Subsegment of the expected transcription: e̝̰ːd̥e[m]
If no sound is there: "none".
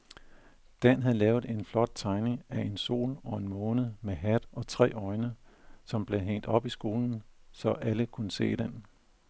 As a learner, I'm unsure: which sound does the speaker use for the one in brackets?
n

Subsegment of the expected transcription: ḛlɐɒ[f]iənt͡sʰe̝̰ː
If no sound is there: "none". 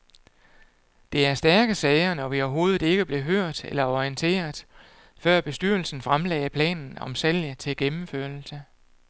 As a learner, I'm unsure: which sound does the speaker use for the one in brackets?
none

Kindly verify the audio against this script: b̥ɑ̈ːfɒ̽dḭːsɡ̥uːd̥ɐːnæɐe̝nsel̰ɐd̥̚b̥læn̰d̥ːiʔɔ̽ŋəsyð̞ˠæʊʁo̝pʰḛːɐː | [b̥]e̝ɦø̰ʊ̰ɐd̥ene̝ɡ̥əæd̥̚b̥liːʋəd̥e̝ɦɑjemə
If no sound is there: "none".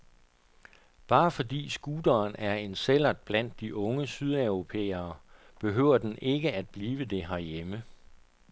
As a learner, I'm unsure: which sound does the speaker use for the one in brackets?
b̥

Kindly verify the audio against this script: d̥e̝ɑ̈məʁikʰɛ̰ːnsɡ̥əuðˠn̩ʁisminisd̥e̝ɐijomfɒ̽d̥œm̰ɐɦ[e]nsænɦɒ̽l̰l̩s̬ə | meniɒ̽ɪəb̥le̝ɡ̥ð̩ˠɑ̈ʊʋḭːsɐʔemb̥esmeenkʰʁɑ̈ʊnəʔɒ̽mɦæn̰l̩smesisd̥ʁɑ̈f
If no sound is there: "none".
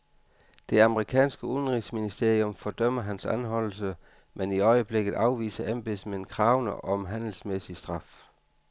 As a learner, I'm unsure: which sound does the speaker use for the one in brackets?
æ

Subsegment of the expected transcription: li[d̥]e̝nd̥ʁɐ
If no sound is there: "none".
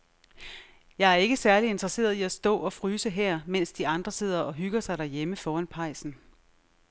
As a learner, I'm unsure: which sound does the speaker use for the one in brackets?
none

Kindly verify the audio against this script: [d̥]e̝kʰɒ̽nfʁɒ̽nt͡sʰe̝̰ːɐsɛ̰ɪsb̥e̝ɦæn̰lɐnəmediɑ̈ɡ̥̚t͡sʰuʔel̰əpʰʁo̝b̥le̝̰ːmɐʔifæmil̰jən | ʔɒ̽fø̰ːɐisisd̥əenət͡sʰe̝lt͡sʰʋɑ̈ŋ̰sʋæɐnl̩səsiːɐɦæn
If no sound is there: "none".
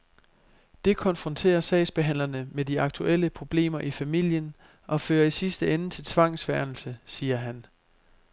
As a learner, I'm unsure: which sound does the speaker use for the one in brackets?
d̥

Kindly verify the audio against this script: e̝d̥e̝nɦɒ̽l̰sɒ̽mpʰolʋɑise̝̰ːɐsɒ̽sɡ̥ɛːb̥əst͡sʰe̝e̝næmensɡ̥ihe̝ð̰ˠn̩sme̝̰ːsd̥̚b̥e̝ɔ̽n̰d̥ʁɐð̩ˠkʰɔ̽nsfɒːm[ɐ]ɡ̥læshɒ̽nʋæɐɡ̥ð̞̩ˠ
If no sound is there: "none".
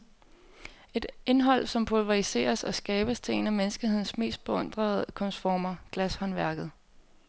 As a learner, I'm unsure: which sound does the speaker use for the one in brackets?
ɐ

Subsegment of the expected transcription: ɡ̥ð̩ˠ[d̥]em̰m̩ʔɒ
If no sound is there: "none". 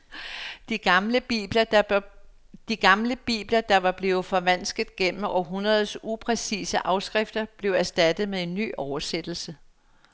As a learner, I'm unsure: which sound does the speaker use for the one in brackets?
ɡ̥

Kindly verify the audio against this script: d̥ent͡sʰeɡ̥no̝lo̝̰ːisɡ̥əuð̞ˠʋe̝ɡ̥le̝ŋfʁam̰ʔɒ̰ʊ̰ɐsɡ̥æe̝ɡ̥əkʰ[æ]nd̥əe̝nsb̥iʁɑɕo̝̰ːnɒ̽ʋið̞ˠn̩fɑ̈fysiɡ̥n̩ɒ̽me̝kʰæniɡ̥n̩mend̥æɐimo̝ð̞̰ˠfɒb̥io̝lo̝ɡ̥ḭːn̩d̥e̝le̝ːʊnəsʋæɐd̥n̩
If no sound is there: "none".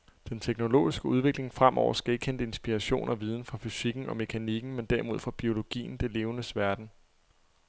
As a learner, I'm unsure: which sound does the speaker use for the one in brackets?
e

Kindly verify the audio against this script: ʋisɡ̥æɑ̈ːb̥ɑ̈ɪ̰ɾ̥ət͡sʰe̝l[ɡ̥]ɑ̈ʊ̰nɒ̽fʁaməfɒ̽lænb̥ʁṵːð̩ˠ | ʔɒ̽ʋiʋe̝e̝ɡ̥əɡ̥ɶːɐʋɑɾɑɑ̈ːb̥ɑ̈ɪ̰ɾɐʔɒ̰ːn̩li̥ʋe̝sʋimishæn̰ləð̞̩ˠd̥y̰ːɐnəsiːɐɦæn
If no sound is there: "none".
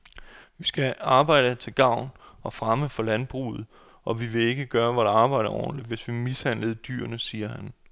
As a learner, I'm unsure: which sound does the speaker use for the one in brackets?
ɡ̥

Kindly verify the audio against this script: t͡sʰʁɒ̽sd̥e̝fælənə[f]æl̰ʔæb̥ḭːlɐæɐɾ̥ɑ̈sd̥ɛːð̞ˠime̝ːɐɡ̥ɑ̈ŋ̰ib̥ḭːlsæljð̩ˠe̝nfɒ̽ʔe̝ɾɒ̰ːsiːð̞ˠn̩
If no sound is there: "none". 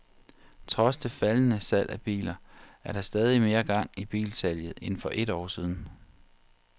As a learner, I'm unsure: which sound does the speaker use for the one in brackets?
s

